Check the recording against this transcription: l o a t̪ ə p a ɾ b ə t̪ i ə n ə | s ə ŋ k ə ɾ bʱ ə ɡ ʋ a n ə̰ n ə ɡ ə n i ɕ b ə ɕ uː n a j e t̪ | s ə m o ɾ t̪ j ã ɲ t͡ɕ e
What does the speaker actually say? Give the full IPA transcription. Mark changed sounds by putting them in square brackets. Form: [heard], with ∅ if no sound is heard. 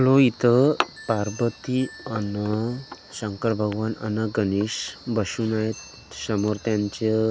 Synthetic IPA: l o [i] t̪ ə p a ɾ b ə t̪ i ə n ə | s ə ŋ k ə ɾ bʱ ə ɡ ʋ a n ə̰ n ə ɡ ə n i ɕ b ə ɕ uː n a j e t̪ | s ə m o ɾ t̪ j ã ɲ t͡ɕ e